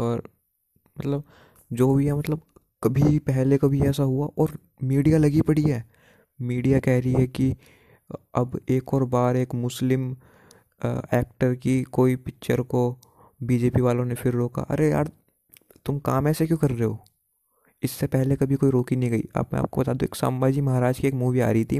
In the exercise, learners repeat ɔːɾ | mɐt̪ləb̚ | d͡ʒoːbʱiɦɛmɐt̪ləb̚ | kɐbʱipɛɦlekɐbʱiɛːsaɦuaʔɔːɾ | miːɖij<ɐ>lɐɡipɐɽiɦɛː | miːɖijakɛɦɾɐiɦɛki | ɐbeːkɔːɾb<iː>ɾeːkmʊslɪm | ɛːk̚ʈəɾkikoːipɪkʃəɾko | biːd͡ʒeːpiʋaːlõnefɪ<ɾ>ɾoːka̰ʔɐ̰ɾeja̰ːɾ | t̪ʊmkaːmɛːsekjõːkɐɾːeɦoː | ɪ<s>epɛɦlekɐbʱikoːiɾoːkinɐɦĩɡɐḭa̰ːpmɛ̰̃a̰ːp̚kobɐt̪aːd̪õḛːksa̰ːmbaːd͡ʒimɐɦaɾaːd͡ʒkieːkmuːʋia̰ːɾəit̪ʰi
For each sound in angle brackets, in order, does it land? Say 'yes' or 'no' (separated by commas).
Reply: no, no, yes, no